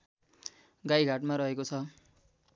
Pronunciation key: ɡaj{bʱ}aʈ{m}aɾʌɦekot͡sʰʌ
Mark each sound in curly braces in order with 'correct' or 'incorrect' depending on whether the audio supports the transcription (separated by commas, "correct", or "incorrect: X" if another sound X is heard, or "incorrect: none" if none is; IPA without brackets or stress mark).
incorrect: ɡʱ, correct